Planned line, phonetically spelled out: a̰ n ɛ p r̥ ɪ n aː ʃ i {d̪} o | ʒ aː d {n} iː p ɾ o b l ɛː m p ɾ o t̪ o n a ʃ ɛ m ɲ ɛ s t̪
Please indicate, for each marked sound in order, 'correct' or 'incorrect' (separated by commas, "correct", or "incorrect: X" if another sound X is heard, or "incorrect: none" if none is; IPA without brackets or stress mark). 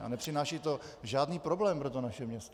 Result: incorrect: t̪, correct